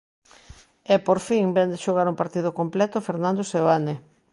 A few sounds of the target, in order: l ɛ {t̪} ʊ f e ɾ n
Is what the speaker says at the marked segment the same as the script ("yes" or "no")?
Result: yes